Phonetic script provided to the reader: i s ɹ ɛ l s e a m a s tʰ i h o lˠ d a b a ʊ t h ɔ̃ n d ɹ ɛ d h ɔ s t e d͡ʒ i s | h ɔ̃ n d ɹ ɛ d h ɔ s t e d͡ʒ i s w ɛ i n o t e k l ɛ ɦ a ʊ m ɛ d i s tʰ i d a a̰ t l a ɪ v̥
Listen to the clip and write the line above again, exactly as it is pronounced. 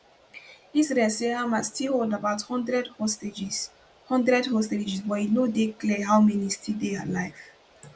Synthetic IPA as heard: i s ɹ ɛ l s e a m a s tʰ i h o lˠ d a b a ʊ t h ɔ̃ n d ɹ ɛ d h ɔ s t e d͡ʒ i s | h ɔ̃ n d ɹ ɛ d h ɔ s t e d͡ʒ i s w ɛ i n o d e k l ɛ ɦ a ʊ m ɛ n i s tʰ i d e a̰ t l a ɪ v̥